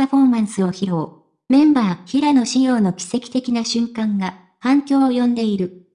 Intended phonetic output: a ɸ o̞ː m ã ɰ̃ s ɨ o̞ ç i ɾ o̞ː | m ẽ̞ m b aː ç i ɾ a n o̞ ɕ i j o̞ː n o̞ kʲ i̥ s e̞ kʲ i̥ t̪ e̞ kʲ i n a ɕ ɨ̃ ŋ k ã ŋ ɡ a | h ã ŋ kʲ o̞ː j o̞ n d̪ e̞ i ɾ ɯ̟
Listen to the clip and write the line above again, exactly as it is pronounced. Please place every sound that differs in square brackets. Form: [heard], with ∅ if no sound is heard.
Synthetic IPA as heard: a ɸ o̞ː m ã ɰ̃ s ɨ o̞ ç i ɾ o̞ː | m ẽ̞ m b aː ç i ɾ a n o̞ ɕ i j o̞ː n o̞ kʲ i̥ s e̞ kʲ i̥ t̪ e̞ kʲ i n a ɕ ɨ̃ ŋ k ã ŋ ɡ a | h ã ŋ kʲ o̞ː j [õ̞] n d̪ e̞ i ɾ ɯ̟

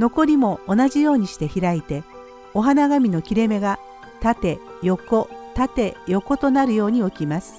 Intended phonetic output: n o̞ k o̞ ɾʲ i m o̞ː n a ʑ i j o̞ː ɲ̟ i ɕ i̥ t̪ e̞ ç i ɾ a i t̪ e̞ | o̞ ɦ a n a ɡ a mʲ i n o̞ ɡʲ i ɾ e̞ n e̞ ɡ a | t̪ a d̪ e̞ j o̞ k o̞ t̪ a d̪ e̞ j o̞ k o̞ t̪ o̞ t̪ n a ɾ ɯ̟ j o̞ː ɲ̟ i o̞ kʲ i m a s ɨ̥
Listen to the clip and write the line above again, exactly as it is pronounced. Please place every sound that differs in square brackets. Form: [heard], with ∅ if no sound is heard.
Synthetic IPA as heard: n o̞ k o̞ ɾʲ i m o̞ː n a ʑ i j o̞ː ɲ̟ i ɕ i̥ t̪ e̞ ç i ɾ a i t̪ e̞ | o̞ ɦ a n a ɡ a mʲ i n o̞ [kʲ] i ɾ e̞ [m] e̞ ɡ a | t̪ a [t̪] e̞ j o̞ k o̞ t̪ a [t̪] e̞ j o̞ k o̞ t̪ o̞ [∅] n a ɾ ɯ̟ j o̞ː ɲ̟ i o̞ kʲ i m a s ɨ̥

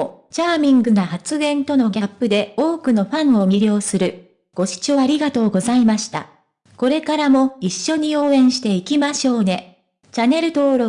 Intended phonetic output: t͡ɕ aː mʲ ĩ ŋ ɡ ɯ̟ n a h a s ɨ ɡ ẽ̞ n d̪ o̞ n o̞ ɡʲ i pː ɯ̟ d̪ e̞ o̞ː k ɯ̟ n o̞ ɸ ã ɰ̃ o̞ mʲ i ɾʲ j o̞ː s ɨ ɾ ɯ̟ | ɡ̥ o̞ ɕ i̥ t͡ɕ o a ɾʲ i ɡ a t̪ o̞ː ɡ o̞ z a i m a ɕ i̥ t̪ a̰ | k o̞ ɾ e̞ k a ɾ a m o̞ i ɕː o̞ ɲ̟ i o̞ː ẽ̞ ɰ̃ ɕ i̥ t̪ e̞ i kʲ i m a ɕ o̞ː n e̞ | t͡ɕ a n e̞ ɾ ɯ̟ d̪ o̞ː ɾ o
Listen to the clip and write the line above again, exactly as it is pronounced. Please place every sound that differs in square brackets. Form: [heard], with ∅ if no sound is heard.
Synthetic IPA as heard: t͡ɕ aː mʲ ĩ ŋ ɡ ɯ̟ n a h a [t͡s] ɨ ɡ ẽ̞ n [t̪] o̞ n o̞ ɡʲ [a] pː ɯ̟ d̪ e̞ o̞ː k ɯ̟ n o̞ ɸ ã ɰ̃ o̞ mʲ i ɾʲ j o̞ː s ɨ ɾ ɯ̟ | ɡ̥ o̞ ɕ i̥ t͡ɕ o a ɾʲ i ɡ a t̪ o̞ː ɡ o̞ z a i m a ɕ i̥ t̪ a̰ | k o̞ ɾ e̞ k a ɾ a m o̞ i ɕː o̞ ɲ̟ i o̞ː ẽ̞ ɰ̃ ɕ i̥ t̪ e̞ i kʲ i m a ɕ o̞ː n e̞ | t͡ɕ a n e̞ ɾ ɯ̟ [t̪] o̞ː ɾ o

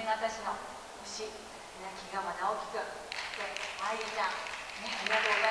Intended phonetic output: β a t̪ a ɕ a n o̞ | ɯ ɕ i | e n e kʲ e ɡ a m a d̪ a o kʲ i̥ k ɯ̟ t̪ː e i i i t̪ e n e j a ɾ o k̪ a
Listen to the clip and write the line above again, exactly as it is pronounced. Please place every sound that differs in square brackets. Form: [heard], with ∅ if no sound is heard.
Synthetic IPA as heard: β a t̪ a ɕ [i] n o̞ | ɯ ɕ i | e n [a] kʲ [i] ɡ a m a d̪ a o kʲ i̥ k ɯ̟ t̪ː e [a] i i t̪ [a] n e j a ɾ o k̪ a

